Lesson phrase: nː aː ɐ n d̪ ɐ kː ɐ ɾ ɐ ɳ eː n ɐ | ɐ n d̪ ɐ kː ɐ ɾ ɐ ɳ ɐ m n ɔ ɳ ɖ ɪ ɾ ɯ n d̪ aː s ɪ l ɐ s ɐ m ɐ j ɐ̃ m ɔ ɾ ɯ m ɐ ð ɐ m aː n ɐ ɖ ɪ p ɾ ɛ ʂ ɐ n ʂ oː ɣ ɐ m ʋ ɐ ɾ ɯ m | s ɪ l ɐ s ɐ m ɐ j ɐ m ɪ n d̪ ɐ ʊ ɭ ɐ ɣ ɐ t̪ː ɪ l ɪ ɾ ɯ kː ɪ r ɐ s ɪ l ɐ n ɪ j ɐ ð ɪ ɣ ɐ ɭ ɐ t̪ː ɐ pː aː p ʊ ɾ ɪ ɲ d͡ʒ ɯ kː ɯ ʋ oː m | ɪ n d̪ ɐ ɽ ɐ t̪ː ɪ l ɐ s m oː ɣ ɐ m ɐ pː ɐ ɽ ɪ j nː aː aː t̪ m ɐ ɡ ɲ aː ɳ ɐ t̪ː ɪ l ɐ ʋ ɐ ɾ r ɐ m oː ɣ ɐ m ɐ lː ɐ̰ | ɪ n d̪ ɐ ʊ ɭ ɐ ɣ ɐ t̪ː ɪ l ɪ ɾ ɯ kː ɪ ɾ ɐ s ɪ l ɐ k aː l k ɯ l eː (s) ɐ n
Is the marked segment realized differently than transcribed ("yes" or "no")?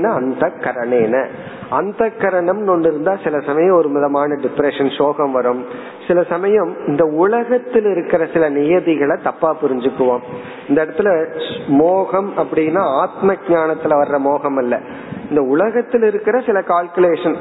yes